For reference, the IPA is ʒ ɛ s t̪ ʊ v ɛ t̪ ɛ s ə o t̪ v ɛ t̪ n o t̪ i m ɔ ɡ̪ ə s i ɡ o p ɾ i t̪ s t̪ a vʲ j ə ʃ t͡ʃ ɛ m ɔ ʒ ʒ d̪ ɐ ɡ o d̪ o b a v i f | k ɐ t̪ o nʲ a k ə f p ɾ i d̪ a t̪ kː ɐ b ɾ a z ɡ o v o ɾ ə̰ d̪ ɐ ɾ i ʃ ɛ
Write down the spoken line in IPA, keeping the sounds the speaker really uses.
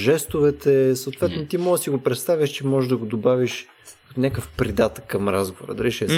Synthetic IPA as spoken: ʒ ɛ s t̪ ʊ v ɛ t̪ ɛ s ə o t̪ v ɛ t̪ n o t̪ i m ɔ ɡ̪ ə s i ɡ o p ɾ ɛ t̪ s t̪ a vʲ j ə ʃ t͡ʃ ɛ m ɔ ʒ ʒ d̪ ɐ ɡ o d̪ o b a v i ʃ | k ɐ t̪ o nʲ a k ə f p ɾ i d̪ a t̪ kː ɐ m ɾ a z ɡ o v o ɾ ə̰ d̪ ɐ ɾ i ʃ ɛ